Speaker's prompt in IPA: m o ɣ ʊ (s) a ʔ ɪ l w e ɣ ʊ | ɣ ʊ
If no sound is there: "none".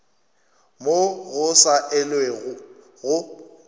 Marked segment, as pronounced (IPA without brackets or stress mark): s